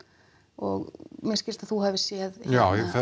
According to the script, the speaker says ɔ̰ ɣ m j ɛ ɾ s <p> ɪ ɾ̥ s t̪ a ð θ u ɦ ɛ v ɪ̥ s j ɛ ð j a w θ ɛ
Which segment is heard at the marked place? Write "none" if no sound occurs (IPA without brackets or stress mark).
c